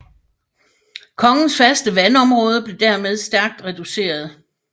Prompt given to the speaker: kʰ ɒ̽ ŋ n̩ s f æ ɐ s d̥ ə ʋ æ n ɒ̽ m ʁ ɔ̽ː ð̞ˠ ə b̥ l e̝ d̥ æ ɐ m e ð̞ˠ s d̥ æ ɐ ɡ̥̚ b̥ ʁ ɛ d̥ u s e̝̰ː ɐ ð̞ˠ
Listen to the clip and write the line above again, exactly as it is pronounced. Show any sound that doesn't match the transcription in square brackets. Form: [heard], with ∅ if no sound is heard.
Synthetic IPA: kʰ ɒ̽ ŋ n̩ s f æ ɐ s d̥ ə ʋ æ n ɒ̽ m ʁ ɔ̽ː ð̞ˠ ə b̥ l e̝ d̥ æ ɐ m e ð̞ˠ s d̥ æ ɐ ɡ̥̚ [d̥] ʁ ɛ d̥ u s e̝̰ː ɐ ð̞ˠ